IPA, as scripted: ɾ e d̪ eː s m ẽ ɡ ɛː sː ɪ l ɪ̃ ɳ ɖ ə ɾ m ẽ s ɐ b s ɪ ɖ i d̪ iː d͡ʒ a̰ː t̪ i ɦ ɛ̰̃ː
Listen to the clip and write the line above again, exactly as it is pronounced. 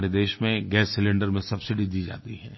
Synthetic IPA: ɾ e d̪ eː ʃ m ẽ ɡ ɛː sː ɪ l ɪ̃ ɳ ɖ ə ɾ m ẽ s ɐ b s ɪ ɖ i d̪ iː d͡ʒ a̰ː t̪ i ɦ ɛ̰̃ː